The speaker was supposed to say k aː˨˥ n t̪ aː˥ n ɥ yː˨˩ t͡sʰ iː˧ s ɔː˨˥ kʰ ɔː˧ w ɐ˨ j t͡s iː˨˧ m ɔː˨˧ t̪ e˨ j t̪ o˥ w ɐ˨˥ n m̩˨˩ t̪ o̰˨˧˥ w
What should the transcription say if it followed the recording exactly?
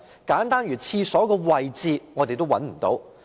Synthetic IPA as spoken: k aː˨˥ n t̪ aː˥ n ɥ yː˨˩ t͡sʰ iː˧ s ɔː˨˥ k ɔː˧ w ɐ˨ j t͡s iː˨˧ ŋ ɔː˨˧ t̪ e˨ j t̪ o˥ w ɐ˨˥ n m̩˨˩ t̪ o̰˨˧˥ w